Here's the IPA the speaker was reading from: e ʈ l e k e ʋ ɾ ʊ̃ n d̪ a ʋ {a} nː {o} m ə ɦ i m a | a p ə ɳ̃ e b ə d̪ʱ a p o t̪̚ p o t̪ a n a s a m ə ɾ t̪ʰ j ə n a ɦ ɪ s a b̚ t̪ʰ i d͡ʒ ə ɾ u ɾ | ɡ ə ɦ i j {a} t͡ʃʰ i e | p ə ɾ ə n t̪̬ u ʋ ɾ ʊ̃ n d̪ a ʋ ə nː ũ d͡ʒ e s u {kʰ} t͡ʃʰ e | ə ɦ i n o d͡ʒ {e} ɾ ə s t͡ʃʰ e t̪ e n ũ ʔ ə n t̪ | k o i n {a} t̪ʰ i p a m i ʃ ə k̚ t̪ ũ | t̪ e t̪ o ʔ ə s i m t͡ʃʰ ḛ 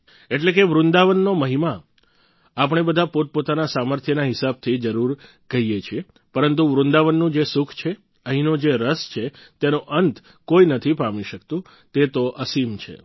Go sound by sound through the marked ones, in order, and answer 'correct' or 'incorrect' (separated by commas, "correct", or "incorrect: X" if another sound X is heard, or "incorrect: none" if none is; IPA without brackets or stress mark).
incorrect: ə, correct, incorrect: e, correct, correct, incorrect: ə